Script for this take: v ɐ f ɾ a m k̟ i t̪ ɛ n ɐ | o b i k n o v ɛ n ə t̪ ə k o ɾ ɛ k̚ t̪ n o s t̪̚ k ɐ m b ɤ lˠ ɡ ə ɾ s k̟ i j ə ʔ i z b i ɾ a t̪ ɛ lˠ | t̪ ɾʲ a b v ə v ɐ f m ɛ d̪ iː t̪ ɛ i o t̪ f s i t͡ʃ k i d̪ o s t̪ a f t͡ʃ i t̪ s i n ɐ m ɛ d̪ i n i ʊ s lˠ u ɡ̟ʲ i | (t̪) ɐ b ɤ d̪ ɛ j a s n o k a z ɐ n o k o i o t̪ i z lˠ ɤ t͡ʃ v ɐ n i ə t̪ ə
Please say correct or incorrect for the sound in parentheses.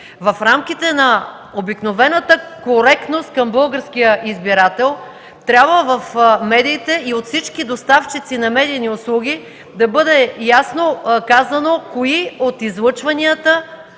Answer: incorrect: d̪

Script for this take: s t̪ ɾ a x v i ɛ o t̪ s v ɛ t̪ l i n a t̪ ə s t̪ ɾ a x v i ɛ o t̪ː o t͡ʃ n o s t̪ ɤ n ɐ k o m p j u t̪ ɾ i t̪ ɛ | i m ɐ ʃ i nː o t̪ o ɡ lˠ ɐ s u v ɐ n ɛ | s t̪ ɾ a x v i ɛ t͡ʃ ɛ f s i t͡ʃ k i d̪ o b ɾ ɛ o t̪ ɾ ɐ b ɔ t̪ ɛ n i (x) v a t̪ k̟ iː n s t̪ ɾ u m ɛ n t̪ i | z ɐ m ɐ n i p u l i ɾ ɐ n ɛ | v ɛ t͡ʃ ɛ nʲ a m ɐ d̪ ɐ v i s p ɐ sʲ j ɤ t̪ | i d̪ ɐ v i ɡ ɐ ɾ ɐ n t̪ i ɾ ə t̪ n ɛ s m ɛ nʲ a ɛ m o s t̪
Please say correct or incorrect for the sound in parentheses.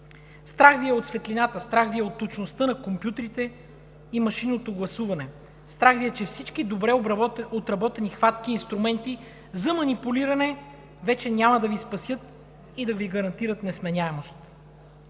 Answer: correct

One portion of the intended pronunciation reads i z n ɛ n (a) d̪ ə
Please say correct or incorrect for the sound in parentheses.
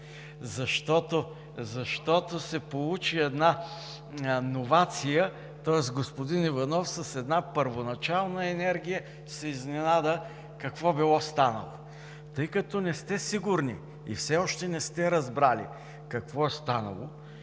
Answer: correct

